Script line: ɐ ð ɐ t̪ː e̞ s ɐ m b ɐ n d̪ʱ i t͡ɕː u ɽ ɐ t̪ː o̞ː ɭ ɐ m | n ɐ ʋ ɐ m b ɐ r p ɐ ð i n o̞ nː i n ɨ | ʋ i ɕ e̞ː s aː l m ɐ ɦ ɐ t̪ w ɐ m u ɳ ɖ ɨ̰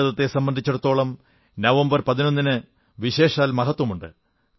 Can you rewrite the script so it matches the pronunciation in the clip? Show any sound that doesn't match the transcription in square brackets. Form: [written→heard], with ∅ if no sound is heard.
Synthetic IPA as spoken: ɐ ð ɐ t̪ː e̞ s ɐ m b ɐ n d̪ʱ i t͡ɕː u ɽ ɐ t̪ː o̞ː ɭ ɐ m | n ɐ ʋ ɐ m b ɐ r p ɐ ð i n o̞ nː i n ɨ | ʋ i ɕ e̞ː [s→ʂ] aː l m ɐ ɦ ɐ t̪ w ɐ m u ɳ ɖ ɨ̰